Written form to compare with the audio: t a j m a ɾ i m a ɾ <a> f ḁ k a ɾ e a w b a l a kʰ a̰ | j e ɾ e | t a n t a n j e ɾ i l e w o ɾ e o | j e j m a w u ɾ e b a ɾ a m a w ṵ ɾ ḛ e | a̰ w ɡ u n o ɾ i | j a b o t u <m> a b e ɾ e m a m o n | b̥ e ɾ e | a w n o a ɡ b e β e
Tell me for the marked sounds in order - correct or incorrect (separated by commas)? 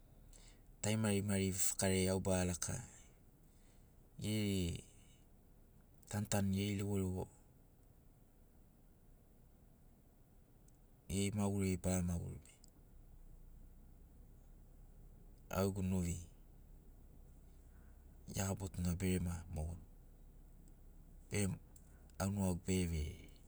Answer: incorrect, incorrect